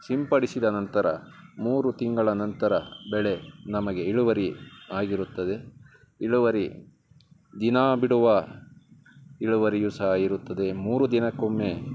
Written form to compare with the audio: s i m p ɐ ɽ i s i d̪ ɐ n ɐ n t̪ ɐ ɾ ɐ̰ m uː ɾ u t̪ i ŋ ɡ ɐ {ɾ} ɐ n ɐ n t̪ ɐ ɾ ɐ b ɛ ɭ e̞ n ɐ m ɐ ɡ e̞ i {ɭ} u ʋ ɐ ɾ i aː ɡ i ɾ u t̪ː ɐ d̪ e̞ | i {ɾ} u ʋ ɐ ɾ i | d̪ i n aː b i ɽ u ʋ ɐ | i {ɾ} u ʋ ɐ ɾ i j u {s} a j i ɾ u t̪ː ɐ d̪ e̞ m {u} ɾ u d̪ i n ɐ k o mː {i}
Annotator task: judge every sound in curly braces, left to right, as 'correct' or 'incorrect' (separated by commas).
incorrect, correct, incorrect, incorrect, correct, incorrect, incorrect